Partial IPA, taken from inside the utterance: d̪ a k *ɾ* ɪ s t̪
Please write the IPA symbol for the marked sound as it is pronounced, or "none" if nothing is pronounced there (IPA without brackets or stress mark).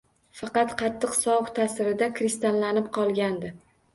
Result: ɾ